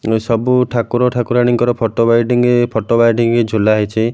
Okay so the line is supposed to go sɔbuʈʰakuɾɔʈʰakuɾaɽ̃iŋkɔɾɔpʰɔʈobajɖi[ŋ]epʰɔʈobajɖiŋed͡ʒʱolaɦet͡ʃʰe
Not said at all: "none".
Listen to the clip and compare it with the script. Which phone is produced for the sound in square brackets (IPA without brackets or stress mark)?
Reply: ŋ